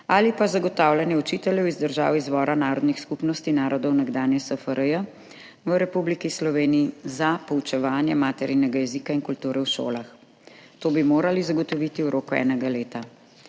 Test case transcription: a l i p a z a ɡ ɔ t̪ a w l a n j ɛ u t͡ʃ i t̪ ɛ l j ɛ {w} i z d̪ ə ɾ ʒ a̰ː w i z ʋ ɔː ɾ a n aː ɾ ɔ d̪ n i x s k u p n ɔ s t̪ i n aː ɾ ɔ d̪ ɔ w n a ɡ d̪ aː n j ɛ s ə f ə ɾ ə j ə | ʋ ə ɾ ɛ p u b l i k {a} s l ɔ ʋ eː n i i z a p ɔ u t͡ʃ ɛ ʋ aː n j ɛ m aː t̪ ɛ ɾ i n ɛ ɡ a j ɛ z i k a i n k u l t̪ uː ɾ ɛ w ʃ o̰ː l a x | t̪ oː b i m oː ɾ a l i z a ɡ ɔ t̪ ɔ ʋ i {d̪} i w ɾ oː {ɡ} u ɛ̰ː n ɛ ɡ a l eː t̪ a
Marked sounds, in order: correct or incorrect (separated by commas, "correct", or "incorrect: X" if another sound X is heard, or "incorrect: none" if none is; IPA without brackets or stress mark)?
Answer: correct, incorrect: i, incorrect: t̪, incorrect: k